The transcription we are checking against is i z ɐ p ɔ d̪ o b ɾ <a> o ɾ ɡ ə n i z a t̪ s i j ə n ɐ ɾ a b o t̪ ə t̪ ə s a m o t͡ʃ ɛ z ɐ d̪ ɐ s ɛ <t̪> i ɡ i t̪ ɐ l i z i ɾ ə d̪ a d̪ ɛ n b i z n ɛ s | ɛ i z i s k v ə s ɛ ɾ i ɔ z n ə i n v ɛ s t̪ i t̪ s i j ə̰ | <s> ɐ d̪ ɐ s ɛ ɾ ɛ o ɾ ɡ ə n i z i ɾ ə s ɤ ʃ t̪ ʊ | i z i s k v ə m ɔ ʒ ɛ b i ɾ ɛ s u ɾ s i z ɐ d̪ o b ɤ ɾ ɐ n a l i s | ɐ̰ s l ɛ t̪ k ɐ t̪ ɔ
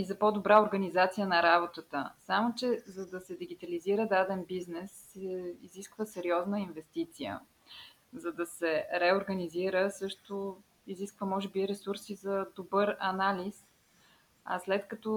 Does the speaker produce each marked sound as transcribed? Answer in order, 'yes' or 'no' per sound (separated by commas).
yes, no, no